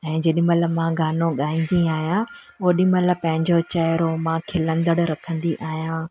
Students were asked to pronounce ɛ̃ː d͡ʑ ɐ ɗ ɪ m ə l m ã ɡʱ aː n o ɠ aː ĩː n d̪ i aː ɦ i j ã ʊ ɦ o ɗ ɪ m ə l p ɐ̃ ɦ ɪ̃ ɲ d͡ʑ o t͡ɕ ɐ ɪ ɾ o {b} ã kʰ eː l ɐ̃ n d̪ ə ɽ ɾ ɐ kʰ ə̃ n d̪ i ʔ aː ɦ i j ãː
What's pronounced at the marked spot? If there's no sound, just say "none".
m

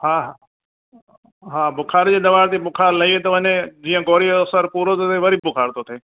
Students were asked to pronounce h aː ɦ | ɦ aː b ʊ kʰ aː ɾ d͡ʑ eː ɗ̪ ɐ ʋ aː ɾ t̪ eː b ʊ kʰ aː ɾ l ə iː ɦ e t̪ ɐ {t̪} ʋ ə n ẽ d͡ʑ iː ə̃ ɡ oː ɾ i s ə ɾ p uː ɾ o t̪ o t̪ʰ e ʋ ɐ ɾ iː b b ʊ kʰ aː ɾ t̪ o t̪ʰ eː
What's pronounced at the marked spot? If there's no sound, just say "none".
none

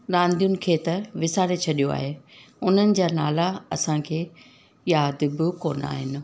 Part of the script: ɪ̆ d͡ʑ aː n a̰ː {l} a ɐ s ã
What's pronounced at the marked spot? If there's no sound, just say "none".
l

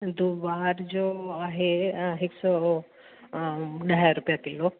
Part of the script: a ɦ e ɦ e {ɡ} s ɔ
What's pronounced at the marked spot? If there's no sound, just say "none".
k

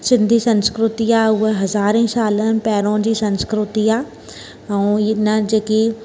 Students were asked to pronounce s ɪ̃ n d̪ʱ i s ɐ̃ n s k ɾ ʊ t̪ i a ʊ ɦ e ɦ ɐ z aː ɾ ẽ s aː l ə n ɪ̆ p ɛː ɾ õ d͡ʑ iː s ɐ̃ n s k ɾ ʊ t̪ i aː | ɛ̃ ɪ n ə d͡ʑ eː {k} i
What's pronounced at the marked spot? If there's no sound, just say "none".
k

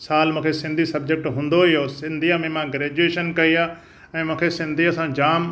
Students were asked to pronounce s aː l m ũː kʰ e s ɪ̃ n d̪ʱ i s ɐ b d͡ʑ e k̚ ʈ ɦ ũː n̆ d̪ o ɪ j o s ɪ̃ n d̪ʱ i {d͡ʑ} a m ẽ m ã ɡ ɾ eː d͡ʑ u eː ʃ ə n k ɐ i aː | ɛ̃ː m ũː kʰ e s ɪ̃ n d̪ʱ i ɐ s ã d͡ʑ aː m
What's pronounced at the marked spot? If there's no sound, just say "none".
none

